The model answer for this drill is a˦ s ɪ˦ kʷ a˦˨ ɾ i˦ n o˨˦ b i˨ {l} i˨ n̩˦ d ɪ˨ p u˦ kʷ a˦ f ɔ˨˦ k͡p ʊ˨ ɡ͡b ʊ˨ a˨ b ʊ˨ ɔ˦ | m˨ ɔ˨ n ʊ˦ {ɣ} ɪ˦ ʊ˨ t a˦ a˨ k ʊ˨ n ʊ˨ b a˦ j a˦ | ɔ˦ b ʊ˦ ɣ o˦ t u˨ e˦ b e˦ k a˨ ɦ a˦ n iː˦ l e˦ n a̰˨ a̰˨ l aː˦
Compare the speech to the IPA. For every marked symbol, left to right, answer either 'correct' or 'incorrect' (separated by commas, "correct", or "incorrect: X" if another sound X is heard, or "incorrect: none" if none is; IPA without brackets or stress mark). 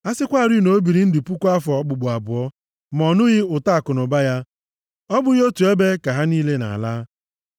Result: incorrect: ɾ, correct